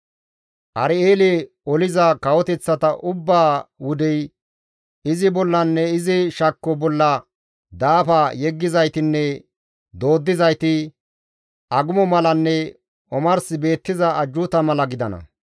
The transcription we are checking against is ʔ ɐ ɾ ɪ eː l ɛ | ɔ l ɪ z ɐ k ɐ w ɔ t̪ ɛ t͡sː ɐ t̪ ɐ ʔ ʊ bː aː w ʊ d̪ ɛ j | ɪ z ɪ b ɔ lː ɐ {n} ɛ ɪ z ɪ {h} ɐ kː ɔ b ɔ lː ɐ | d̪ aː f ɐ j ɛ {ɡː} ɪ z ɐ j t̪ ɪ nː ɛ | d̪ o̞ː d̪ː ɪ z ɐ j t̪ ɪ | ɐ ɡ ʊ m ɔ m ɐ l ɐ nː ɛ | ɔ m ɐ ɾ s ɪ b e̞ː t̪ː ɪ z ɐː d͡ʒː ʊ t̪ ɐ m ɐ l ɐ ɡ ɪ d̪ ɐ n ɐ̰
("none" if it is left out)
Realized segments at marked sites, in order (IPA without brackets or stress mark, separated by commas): nː, ʃ, ɡː